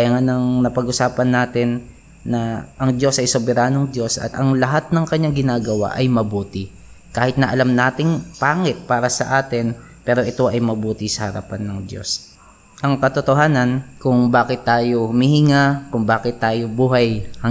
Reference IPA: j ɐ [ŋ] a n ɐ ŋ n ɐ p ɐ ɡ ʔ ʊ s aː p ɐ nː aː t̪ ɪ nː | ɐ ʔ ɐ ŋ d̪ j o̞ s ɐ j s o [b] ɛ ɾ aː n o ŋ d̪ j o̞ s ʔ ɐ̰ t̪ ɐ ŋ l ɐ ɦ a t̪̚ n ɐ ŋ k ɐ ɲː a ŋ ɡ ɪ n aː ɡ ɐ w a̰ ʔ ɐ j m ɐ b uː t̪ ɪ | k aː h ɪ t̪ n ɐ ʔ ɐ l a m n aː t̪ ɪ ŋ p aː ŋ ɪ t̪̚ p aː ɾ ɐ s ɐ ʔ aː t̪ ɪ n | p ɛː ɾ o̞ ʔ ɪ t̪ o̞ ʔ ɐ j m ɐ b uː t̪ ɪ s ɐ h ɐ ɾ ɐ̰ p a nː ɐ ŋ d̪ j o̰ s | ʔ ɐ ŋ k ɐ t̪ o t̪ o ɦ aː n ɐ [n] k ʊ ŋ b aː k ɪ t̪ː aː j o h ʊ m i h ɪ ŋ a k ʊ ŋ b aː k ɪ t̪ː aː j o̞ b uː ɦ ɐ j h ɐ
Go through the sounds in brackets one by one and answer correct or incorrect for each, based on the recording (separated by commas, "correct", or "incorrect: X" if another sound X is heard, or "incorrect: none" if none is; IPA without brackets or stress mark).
correct, correct, correct